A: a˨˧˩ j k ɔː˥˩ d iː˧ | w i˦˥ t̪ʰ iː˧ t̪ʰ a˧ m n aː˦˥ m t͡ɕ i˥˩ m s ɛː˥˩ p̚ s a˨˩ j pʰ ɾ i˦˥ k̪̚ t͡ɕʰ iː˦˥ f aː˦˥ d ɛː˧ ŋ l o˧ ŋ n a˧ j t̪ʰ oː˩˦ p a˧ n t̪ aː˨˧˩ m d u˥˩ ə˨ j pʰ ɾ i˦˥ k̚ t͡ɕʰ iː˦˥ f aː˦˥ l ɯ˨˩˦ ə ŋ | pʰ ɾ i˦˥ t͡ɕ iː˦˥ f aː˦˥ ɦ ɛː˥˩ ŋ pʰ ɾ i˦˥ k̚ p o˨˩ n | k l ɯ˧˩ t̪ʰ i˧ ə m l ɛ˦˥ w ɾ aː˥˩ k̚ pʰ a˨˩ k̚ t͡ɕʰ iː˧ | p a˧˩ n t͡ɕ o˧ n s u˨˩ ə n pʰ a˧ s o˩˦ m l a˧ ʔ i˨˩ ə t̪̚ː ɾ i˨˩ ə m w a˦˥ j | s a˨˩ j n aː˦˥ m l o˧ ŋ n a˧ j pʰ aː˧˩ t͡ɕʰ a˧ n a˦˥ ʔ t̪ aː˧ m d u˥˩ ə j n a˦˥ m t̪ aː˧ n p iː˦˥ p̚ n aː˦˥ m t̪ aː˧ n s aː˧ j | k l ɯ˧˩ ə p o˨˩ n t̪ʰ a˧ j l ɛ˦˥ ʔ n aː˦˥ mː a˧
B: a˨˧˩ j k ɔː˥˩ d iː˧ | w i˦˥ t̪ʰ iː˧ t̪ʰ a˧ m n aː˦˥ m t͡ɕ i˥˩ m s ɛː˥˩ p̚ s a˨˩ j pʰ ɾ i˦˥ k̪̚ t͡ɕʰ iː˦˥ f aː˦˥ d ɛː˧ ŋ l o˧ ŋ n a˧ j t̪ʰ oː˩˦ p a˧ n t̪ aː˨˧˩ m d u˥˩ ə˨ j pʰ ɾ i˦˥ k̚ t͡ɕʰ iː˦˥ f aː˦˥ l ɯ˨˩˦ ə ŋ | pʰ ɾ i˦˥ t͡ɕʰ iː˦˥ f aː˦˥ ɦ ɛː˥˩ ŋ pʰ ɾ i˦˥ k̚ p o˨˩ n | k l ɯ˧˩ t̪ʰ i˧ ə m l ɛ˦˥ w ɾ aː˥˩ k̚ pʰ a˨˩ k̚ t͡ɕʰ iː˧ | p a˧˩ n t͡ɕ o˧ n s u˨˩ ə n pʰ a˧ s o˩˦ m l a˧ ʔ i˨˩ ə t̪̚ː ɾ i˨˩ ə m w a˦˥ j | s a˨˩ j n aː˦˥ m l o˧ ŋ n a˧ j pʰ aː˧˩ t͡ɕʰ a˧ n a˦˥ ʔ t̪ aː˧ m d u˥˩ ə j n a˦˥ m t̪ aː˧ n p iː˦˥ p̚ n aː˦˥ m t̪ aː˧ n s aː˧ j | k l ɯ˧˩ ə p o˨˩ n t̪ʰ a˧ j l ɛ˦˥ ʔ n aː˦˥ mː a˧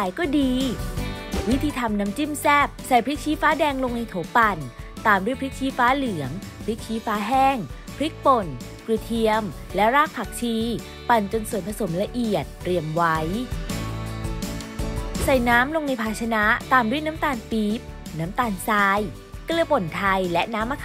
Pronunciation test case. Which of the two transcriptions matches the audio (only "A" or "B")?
B